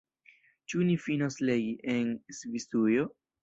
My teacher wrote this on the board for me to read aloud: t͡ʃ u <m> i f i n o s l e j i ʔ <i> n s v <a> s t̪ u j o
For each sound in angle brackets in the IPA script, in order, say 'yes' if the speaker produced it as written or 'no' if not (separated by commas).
no, no, no